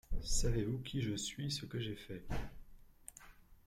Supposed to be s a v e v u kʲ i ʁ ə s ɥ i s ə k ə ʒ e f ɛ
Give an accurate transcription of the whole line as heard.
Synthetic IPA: s a v e v u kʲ i ʒ ə s ɥ i s ə k ə ʒ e f ɛ

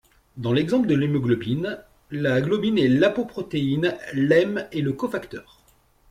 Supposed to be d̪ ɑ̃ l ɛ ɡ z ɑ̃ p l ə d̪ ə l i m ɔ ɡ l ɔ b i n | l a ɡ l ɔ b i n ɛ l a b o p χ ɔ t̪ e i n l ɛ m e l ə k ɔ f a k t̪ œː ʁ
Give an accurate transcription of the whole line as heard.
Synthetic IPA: d̪ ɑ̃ l ɛ ɡ z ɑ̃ p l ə d̪ ə l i m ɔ ɡ l ɔ b i n | l a ɡ l ɔ b i n ɛ l a p o p χ ɔ t̪ e i n l ɛ m e l ə k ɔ f a k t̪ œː ʁ

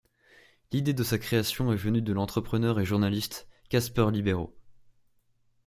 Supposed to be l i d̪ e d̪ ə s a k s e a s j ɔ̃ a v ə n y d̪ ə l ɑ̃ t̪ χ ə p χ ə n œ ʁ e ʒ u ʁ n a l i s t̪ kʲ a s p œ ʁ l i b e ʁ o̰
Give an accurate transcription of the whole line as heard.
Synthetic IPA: l i d̪ e d̪ ə s a k χ e a s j ɔ̃ ɛ v ə n y d̪ ə l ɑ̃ t̪ χ ə p χ ə n œ ʁ e ʒ u ʁ n a l i s t̪ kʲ a s p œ ʁ l i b e ʁ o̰

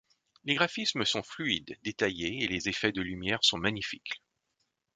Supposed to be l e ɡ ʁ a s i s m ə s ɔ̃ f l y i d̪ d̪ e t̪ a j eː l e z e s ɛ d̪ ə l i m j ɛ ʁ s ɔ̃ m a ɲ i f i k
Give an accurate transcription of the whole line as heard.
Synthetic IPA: l e ɡ ʁ a f i s m ə s ɔ̃ f l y i d̪ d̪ e t̪ a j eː l e z e f ɛ d̪ ə l y m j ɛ ʁ s ɔ̃ m a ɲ i f i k

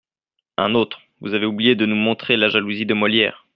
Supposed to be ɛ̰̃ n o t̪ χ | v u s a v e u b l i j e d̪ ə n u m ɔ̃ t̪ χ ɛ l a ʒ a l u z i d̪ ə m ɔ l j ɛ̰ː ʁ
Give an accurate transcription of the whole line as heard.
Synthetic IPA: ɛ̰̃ n o t̪ χ | v u z a v e u b l i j e d̪ ə n u m ɔ̃ t̪ χ e l a ʒ a l u z i d̪ ə m ɔ l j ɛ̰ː ʁ

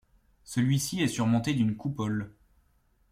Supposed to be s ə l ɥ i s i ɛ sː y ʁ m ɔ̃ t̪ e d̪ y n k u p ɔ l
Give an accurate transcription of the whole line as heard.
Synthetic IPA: s ə l ɥ i s i ɛ s y ʁ m ɔ̃ t̪ e d̪ y n k u p ɔ l

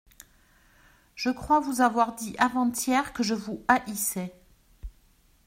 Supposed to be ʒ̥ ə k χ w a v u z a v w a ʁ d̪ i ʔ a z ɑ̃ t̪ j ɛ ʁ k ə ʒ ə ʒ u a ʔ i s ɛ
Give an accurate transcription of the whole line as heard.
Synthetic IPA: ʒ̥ ə k χ w a v u z a v w a ʁ d̪ i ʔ a v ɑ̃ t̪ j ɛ ʁ k ə ʒ ə v u a ʔ i s ɛ

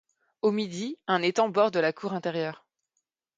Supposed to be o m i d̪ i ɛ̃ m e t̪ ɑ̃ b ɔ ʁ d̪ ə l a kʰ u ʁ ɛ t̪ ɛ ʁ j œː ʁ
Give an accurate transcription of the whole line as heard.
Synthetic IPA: o m i d̪ i ɛ̃ n e t̪ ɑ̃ b ɔ ʁ d̪ ə l a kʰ u ʁ ɛ̃ t̪ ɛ ʁ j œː ʁ

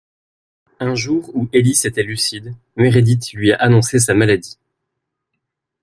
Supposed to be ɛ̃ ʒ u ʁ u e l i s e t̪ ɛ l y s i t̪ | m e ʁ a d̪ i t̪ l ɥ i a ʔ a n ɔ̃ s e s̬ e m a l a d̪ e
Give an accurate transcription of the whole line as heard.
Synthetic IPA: ɛ̃ ʒ u ʁ u e l i s e t̪ ɛ l y s i d̪ | m e ʁ e d̪ i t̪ l ɥ i a ʔ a n ɔ̃ s e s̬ a m a l a d̪ i

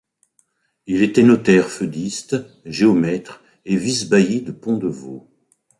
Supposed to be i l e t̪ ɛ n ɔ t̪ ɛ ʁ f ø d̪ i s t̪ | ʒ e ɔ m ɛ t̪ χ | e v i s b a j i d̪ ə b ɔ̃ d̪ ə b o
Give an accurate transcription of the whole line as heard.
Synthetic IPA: i l e t̪ ɛ n ɔ t̪ ɛ ʁ f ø d̪ i s t̪ | ʒ e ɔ m ɛ t̪ χ | e v i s b a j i d̪ ə p ɔ̃ d̪ ə v o

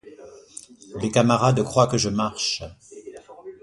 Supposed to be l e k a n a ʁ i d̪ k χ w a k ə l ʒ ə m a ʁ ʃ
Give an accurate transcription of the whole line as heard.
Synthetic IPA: l e k a m a ʁ a d̪ k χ w a k ə ʒ ə m a ʁ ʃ

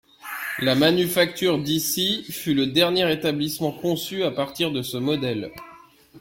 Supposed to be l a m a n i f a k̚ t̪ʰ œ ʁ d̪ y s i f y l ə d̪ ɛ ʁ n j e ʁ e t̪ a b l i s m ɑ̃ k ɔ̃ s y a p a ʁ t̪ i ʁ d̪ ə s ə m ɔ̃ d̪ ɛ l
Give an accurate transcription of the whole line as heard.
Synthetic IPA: l a m a n y f a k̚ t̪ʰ y ʁ d̪ i s i f y l ə d̪ ɛ ʁ n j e ʁ e t̪ a b l i s m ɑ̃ k ɔ̃ s y a p a ʁ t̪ i ʁ d̪ ə s ə m ɔ d̪ ɛ l

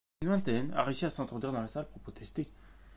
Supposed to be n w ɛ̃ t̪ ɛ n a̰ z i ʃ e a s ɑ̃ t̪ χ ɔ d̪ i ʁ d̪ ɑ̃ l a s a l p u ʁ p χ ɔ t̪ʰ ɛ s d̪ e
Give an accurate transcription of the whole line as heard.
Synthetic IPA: n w ɛ̃ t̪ ɛ n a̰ ʁ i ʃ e a s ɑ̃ t̪ χ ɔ d̪ i ʁ d̪ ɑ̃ l a s a l p u ʁ p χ ɔ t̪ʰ ɛ s t̪ e

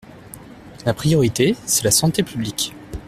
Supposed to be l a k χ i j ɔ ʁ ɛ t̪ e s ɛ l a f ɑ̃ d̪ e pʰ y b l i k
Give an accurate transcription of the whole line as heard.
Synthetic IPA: l a p χ i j ɔ ʁ i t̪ e s ɛ l a s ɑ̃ t̪ e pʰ y b l i k

